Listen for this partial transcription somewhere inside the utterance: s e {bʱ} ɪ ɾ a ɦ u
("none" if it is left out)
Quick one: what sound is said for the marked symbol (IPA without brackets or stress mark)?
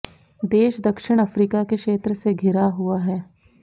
ɡʱ